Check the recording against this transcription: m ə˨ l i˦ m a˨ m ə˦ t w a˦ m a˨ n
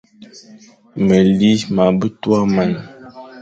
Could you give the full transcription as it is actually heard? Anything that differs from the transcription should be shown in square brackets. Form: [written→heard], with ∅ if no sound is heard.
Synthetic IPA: m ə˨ l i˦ m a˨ [m→b] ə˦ t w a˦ m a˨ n